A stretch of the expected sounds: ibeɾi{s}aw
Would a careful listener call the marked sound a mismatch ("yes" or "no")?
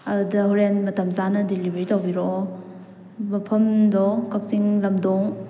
yes